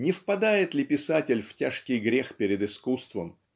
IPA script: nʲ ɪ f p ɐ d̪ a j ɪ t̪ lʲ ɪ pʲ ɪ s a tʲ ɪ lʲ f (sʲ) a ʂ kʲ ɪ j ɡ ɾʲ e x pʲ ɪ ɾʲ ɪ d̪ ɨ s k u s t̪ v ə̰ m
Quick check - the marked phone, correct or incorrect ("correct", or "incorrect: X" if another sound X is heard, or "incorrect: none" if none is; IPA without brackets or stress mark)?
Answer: incorrect: tʲ